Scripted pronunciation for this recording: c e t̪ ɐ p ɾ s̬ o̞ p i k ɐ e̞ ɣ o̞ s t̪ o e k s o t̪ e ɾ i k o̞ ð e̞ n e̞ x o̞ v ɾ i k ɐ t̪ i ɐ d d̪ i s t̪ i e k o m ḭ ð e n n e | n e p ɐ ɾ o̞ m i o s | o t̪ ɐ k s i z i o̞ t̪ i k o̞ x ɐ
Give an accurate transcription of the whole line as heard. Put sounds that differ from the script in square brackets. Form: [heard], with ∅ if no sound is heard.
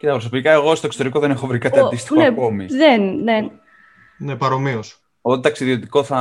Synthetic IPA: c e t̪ ɐ p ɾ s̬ o̞ p i k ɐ e̞ ɣ o̞ s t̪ o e k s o t̪ e ɾ i k o̞ ð e̞ n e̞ x o̞ v ɾ i k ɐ t̪ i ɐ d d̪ i s t̪ i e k o m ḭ ð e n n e | n e p ɐ ɾ o̞ m i o s | o t̪ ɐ k s i [ð] i o̞ t̪ i k o̞ [θ] ɐ